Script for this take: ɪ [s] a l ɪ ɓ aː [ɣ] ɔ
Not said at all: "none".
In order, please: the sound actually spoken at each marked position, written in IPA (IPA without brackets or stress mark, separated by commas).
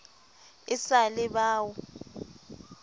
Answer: s, w